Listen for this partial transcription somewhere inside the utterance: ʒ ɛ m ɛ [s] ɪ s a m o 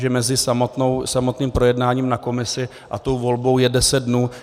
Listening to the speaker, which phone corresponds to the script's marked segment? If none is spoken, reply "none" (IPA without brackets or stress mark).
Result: z